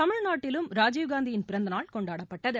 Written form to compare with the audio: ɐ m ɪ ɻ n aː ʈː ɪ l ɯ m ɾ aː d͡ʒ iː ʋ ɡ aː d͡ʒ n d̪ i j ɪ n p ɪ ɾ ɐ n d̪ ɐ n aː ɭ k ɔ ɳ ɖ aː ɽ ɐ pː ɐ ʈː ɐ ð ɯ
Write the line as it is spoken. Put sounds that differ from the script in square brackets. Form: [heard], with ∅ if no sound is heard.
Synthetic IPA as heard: ɐ m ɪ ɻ n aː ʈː ɪ l ɯ m ɾ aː d͡ʒ iː ʋ ɡ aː [∅] n d̪ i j ɪ n p ɪ ɾ ɐ n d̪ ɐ n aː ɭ k ɔ ɳ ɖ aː ɽ ɐ pː ɐ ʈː ɐ ð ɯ